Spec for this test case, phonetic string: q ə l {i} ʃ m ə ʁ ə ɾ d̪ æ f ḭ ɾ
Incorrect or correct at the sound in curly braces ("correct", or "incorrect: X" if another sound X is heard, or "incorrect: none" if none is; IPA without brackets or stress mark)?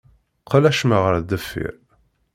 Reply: incorrect: æ